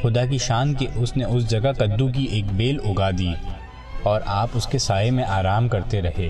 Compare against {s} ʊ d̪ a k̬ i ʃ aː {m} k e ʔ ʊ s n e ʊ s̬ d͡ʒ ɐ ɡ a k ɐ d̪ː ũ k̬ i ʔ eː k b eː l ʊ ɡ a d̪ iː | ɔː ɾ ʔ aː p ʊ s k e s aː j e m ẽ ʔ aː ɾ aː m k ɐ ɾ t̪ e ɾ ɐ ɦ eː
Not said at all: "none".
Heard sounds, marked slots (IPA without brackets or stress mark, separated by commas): x, n